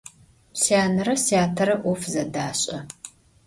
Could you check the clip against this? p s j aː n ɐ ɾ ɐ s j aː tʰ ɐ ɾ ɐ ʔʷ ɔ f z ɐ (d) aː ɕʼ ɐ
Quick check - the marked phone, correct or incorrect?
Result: correct